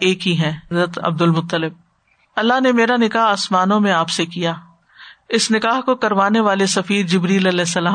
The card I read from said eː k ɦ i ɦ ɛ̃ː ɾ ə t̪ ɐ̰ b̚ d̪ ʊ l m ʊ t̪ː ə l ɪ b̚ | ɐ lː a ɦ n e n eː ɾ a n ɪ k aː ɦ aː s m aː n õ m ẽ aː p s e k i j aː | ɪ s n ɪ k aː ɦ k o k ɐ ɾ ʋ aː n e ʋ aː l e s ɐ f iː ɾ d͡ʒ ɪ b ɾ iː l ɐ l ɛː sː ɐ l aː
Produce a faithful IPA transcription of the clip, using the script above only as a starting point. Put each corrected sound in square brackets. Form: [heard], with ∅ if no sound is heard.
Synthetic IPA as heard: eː k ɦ i ɦ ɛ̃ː ɾ ə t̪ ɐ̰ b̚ d̪ ʊ l m ʊ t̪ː ə l ɪ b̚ | ɐ lː a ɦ n e [m] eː ɾ a n ɪ k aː ɦ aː s m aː n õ m ẽ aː p s e k i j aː | ɪ s n ɪ k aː ɦ k o k ɐ ɾ ʋ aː n e ʋ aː l e s ɐ f iː ɾ d͡ʒ ɪ b ɾ iː l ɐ l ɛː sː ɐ l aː